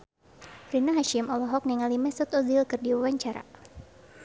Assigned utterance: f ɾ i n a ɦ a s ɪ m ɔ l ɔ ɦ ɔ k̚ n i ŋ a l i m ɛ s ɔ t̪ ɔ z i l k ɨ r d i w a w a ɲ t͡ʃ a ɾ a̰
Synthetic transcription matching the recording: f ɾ i n a ɦ a ʃ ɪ m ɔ l ɔ ɦ ɔ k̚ n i ŋ a l i m ɛ s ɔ t̪ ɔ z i l k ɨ r d i w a w a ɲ t͡ʃ a ɾ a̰